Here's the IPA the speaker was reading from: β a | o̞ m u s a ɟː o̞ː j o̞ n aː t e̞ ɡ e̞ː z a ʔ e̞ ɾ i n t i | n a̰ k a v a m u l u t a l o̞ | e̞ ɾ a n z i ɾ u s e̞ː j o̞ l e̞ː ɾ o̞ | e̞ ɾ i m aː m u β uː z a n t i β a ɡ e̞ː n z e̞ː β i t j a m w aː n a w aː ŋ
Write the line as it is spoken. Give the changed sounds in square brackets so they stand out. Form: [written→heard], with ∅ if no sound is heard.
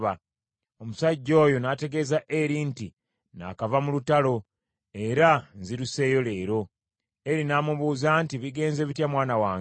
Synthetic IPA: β a | o̞ m u s a ɟː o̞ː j o̞ n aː t e̞ ɡ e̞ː z a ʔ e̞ ɾ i n t i | n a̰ k a v a m u l u t a l o̞ | e̞ ɾ a n z i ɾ u s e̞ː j o̞ l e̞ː ɾ o̞ | e̞ ɾ i [m→n] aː m u β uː z a n t i β [a→i] ɡ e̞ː n z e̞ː β i t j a m w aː n a w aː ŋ